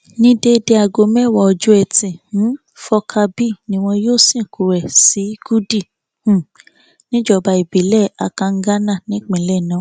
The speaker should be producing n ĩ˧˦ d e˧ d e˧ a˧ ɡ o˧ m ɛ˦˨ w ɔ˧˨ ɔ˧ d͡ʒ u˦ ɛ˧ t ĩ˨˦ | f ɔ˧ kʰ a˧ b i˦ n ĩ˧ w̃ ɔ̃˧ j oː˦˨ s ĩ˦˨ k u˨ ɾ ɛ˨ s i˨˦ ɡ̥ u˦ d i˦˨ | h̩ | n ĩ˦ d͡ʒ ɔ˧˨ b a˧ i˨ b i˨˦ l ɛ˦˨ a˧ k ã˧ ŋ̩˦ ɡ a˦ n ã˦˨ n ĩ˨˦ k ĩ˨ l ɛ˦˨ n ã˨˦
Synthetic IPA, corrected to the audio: n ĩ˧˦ d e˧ d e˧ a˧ ɡ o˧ m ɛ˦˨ w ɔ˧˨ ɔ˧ d͡ʒ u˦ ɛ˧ t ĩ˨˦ | f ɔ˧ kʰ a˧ b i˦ n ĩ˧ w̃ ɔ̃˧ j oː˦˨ s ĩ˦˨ k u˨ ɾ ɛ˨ s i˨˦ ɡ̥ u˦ d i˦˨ | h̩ | n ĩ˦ d͡ʒ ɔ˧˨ b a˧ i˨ b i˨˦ l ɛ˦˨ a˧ k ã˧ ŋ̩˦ ɡ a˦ n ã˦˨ n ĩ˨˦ k͡p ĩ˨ l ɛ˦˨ n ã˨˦

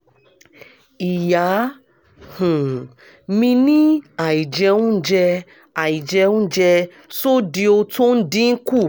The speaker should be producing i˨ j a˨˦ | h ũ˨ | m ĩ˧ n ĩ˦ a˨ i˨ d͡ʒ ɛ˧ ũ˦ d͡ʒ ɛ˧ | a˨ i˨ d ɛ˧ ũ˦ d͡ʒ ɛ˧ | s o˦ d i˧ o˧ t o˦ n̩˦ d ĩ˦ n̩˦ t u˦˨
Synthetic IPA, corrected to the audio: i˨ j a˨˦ | h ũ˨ | m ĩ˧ n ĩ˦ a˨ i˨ d͡ʒ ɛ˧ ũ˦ d͡ʒ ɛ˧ | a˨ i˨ d͡ʒ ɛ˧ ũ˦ d͡ʒ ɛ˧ | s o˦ d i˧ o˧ t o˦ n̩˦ d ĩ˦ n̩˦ k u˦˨

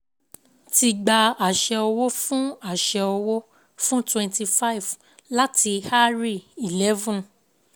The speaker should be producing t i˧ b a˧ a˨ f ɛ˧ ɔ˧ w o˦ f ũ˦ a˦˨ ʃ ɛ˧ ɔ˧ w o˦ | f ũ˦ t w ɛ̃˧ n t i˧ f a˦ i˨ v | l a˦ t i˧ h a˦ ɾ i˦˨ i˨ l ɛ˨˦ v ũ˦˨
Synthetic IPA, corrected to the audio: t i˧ ɡ͡b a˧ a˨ ʃ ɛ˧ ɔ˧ w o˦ f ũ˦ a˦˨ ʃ ɛ˧ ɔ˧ w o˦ | f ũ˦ t w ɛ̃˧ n t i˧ f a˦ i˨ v | l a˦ t i˧ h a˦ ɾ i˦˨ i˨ l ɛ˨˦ v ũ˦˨

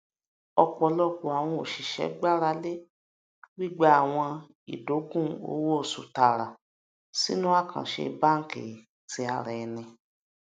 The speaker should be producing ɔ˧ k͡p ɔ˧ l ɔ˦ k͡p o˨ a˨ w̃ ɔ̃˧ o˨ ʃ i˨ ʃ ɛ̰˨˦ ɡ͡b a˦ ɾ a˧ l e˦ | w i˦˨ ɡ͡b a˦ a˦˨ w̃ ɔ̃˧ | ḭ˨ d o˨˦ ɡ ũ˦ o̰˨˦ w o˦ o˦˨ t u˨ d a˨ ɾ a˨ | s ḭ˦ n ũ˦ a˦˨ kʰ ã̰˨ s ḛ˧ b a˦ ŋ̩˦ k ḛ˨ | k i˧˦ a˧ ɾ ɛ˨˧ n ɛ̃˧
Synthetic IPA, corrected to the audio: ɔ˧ k͡p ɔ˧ l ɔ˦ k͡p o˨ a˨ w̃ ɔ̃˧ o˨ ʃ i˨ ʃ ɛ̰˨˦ ɡ͡b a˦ ɾ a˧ l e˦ | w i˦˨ ɡ͡b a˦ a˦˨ w̃ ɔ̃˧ | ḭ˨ d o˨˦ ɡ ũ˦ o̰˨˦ w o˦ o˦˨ s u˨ t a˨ ɾ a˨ | s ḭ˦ n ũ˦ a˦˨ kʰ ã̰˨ ʃ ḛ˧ b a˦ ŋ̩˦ k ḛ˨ | t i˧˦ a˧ ɾ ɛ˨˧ n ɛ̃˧

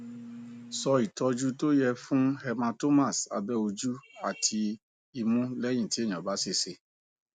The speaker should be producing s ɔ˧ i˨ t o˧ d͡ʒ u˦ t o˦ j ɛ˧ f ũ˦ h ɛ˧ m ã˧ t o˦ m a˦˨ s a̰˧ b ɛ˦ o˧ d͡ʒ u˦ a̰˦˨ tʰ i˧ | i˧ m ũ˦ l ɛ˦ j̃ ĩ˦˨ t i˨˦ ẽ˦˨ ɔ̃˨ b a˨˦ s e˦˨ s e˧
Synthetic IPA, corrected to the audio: s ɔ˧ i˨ t ɔ˧ d͡ʒ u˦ t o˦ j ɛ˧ f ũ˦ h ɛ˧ m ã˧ t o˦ m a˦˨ s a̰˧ b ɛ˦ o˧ d͡ʒ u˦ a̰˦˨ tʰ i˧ | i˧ m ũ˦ l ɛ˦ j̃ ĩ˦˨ t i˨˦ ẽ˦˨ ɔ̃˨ b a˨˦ s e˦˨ s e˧

